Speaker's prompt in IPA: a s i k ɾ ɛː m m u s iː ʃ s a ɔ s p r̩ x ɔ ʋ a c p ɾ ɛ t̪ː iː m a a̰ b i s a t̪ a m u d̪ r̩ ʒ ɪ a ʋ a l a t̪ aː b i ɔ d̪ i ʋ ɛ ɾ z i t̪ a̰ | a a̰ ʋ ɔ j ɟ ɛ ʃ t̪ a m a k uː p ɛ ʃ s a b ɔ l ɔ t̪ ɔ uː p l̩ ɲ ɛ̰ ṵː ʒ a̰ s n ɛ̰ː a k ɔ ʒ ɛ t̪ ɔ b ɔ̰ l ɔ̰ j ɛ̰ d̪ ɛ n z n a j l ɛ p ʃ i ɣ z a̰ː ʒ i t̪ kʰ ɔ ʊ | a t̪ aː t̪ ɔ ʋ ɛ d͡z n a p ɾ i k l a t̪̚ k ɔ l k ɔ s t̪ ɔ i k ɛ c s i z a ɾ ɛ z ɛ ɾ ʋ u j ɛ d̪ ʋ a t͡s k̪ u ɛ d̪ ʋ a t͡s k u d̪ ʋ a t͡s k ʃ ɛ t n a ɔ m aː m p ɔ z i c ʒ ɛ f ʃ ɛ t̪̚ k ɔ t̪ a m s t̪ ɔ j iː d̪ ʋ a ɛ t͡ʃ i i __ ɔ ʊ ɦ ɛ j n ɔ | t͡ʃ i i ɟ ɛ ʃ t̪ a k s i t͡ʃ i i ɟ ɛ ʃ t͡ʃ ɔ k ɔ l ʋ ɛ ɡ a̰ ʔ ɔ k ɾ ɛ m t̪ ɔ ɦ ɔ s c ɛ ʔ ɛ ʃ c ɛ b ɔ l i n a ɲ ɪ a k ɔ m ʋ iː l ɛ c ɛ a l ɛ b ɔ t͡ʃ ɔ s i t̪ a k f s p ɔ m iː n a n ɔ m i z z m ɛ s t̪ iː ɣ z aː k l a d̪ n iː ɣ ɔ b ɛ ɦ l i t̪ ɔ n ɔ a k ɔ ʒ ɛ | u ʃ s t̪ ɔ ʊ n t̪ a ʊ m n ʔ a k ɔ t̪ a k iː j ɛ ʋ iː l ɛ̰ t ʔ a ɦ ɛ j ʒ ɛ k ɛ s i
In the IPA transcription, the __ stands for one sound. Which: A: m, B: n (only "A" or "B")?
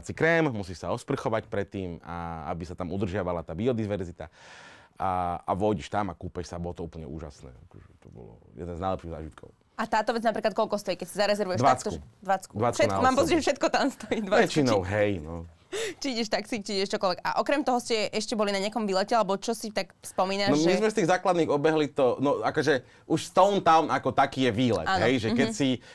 B